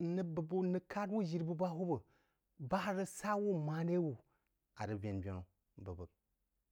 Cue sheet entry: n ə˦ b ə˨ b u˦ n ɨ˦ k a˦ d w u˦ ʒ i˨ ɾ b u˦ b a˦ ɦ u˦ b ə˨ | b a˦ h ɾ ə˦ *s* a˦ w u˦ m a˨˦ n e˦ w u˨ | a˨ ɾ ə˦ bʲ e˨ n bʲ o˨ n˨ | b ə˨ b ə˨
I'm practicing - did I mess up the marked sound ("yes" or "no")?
no